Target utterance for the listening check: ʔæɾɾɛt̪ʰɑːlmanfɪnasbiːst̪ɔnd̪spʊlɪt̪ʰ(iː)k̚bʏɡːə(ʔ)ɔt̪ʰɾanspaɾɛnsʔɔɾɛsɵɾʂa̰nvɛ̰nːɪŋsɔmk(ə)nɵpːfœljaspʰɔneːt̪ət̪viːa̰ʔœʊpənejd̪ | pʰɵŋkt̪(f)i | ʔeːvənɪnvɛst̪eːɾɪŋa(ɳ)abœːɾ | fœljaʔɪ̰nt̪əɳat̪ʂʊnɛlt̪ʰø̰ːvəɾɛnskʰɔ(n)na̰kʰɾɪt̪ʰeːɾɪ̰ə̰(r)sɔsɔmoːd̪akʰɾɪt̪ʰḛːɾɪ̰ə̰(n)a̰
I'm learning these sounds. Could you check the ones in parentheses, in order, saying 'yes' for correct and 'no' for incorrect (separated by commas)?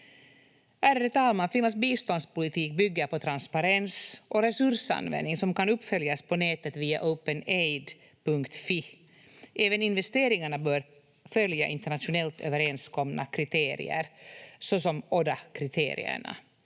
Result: yes, no, no, yes, yes, no, no, no